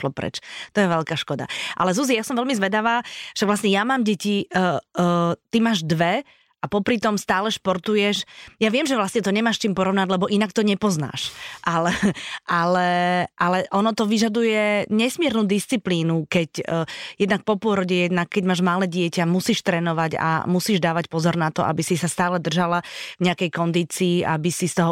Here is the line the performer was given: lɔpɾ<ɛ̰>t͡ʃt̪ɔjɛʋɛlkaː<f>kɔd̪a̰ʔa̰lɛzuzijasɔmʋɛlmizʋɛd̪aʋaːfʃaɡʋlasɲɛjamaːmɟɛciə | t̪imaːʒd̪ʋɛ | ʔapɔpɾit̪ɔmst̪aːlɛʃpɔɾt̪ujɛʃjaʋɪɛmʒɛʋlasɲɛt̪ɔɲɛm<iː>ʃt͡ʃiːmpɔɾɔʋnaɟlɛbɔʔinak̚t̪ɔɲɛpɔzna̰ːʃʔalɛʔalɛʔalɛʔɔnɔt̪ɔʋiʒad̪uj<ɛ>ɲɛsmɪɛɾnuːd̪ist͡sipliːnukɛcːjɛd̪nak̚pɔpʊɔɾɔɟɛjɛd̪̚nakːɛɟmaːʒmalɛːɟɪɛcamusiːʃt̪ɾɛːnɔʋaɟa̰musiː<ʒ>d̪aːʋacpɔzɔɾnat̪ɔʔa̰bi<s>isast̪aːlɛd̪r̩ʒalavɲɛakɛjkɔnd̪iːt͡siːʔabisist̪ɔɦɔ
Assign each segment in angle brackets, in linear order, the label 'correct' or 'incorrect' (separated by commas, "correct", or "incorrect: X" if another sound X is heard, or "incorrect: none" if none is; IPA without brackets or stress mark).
correct, incorrect: ʃ, incorrect: aː, correct, correct, correct